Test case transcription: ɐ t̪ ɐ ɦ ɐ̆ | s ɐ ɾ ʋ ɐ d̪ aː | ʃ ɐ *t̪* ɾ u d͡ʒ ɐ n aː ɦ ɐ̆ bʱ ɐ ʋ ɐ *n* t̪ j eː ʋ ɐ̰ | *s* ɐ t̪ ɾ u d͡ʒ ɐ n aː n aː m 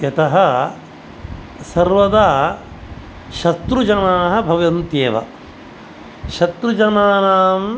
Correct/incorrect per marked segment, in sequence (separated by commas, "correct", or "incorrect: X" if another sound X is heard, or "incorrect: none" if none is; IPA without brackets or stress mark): correct, correct, incorrect: ʃ